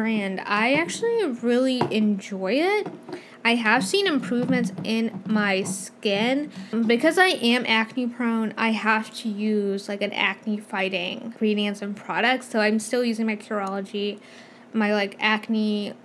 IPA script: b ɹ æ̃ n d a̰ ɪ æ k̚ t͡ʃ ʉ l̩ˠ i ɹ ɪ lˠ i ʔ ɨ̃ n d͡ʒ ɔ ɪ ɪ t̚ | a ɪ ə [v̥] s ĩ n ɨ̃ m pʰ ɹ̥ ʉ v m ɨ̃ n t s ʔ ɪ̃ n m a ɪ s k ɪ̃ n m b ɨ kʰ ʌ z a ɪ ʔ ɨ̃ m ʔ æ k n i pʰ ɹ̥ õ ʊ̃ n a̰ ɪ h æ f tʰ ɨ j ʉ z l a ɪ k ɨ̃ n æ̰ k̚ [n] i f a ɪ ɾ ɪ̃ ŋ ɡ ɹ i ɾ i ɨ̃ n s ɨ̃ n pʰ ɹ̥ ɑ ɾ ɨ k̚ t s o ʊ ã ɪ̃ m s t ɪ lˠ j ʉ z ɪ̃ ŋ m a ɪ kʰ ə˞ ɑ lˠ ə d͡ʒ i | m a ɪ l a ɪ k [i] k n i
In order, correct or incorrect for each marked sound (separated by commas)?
correct, correct, incorrect